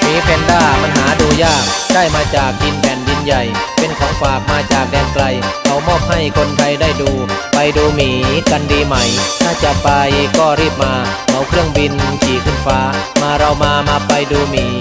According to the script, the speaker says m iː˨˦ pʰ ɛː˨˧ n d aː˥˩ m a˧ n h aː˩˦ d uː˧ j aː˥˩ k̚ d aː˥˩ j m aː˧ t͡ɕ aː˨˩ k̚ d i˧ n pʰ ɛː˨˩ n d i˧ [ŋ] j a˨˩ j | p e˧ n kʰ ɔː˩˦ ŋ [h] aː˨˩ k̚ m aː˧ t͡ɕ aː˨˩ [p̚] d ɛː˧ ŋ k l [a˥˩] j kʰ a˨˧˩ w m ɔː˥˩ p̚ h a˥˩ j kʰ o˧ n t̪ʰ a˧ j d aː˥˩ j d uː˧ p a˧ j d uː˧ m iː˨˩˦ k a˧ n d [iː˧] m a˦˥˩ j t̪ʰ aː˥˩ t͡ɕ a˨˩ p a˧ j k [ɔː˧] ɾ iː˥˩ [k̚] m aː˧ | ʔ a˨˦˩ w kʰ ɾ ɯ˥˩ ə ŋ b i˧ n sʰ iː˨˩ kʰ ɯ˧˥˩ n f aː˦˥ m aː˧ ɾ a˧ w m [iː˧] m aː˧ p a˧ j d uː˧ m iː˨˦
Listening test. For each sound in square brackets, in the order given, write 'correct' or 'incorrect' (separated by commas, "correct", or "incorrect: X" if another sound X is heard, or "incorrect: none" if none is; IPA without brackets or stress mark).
incorrect: n, incorrect: f, incorrect: k̚, incorrect: a˧, correct, incorrect: ɔː˥˩, incorrect: p̚, incorrect: aː˧